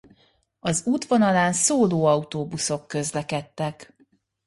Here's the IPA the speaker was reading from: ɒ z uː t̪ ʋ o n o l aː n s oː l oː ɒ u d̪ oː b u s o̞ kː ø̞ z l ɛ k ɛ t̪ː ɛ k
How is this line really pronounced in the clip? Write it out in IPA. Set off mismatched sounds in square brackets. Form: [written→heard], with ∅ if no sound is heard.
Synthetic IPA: ɒ z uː t̪ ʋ o n [o→ɒ] l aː n s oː l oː ɒ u [d̪→t̪] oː b u s o̞ kː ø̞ z l ɛ k ɛ t̪ː ɛ k